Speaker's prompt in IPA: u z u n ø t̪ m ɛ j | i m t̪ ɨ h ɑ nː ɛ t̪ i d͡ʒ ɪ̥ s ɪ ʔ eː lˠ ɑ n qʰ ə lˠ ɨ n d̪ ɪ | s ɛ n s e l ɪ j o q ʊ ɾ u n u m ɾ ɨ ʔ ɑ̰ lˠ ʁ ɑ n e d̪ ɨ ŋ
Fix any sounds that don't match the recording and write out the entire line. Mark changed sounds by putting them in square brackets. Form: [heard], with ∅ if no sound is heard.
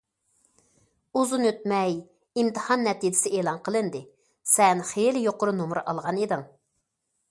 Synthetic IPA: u z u n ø t̪ m ɛ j | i m t̪ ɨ h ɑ nː ɛ t̪ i d͡ʒ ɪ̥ s ɪ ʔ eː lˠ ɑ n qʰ ə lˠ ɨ n d̪ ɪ | s ɛ n [χ] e l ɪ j o q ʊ ɾ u n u m ɾ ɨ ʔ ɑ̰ lˠ ʁ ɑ n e d̪ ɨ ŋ